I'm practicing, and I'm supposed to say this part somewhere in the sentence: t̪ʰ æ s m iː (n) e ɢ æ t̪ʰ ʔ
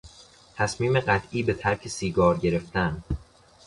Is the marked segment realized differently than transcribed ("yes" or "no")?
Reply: yes